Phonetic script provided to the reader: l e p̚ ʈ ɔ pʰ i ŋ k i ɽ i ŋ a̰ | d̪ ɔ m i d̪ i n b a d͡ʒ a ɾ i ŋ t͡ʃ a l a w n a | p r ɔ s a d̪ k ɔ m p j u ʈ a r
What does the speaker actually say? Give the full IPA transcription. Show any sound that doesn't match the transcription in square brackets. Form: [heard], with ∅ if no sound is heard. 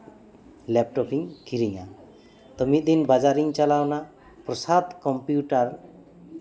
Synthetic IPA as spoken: l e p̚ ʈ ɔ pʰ i ŋ k i [ɾ] i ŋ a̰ | [t̪] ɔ m i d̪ i n b a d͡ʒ a ɾ i ŋ t͡ʃ a l a w n a | p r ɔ s a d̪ k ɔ m p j u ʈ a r

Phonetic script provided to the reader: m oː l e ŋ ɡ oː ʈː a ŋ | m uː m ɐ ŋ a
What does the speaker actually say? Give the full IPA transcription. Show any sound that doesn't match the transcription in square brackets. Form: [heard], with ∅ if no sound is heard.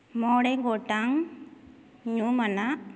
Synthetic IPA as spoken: m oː [ɽ] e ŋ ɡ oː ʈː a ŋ | [ɲ] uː m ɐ [n] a

